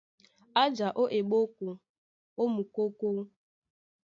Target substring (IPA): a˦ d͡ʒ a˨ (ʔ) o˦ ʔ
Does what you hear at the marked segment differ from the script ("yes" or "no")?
no